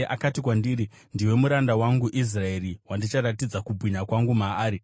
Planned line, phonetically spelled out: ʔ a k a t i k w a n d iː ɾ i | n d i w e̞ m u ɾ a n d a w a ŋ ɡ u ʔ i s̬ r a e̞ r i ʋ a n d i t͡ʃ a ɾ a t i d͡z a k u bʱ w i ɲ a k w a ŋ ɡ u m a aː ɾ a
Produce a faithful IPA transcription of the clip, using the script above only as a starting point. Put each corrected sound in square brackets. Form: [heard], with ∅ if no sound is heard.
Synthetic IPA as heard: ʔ a k a t i k w a n d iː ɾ i | n d i w e̞ m u ɾ a n d a w a ŋ ɡ u ʔ i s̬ r a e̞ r i [w] a n d i t͡ʃ a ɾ a t i d͡z a k u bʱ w i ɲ a k w a ŋ ɡ u m a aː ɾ [i]